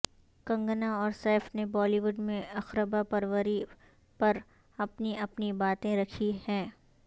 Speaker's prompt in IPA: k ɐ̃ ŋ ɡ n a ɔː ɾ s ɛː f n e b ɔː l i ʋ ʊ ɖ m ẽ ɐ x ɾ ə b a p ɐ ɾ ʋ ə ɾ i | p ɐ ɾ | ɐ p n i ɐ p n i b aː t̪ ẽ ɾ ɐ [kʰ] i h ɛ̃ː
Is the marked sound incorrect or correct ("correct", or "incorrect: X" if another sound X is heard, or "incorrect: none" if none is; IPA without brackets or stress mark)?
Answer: correct